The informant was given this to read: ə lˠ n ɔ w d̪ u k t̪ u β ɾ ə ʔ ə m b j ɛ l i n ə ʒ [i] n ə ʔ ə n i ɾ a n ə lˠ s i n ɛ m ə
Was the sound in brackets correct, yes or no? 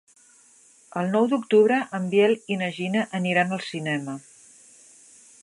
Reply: yes